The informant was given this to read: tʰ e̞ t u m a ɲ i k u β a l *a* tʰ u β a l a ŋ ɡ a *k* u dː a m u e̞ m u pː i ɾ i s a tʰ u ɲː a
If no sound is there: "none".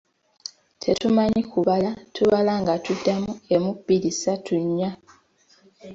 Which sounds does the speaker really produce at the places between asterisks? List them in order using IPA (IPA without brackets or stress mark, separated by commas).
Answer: a, t